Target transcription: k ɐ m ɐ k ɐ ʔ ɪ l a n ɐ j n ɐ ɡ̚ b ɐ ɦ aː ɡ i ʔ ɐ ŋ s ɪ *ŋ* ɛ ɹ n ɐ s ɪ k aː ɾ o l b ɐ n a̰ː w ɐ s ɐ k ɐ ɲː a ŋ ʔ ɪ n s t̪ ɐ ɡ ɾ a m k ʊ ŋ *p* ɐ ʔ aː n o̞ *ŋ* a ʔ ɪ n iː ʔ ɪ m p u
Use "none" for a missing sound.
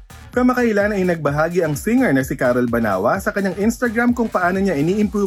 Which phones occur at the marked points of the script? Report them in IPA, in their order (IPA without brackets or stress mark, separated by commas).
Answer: ŋ, p, ɲ